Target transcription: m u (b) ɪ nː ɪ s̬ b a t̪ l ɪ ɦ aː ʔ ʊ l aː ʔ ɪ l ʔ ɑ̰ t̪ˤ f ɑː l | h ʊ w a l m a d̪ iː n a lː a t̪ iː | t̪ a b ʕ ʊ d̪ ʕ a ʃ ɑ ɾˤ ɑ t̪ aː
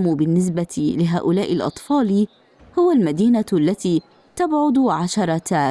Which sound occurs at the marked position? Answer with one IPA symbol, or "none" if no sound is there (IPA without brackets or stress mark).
b